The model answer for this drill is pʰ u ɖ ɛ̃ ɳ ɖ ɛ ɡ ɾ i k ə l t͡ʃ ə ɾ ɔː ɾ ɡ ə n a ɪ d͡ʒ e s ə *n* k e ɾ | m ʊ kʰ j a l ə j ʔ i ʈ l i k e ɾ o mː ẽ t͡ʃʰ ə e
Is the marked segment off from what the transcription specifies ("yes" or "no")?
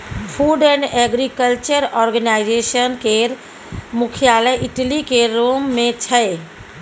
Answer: no